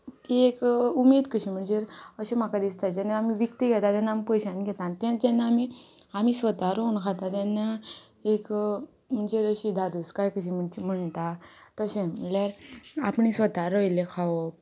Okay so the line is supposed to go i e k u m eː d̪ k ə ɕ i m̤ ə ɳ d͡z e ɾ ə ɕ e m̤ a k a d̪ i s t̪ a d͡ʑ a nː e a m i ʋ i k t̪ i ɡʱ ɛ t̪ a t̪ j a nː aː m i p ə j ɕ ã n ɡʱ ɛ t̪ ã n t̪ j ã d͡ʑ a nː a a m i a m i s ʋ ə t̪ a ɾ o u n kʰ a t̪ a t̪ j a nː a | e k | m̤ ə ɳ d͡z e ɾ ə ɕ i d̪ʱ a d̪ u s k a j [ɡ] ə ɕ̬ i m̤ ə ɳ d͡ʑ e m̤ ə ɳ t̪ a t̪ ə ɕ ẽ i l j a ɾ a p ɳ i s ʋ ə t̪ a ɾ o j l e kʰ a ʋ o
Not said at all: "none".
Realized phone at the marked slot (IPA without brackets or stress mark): k